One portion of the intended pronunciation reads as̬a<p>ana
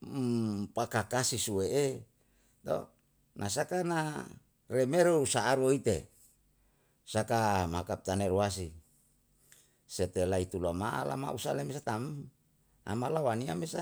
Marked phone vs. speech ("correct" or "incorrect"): incorrect